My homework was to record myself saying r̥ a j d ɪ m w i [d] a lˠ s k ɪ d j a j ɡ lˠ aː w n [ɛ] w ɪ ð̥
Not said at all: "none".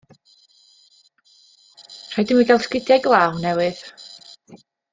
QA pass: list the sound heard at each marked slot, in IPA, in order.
ɡ, ɛ

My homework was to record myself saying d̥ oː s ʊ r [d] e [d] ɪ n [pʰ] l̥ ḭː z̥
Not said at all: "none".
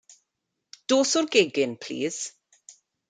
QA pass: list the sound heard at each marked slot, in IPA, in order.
ɡ, ɡ, pʰ

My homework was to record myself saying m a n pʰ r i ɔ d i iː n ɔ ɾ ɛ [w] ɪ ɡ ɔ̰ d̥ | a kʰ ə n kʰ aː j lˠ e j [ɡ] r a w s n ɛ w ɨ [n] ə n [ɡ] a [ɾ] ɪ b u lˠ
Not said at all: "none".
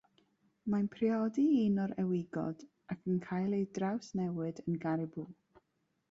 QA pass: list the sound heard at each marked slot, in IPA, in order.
w, d, d, ɡ, ɾ

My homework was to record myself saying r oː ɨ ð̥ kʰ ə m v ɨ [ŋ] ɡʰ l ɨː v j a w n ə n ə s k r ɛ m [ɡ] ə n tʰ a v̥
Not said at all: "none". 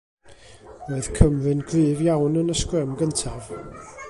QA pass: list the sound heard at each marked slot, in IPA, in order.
n, ɡ

